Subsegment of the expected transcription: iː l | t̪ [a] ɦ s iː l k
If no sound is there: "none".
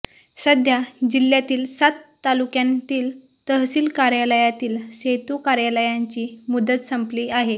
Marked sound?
ə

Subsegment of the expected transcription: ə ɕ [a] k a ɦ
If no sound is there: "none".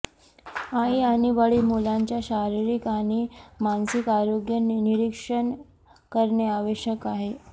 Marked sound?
ə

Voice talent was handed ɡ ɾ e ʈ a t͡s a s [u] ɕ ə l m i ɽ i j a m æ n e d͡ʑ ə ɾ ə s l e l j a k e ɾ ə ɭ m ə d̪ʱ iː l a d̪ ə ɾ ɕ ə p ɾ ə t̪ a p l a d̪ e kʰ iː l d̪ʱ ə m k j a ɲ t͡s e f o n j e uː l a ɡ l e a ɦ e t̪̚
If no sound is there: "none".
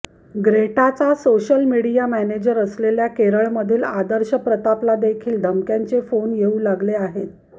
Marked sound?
o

